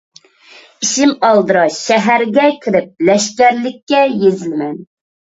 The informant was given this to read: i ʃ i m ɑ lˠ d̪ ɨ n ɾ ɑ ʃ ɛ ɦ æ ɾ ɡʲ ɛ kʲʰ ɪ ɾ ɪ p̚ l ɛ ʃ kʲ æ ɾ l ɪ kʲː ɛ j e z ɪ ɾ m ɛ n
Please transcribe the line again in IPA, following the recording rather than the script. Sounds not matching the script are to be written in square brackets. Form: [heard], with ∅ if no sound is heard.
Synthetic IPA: i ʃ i m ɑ lˠ d̪ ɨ [∅] ɾ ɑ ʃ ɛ ɦ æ ɾ ɡʲ ɛ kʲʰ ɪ ɾ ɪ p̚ l ɛ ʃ kʲ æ ɾ l ɪ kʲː ɛ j e z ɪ [l] m ɛ n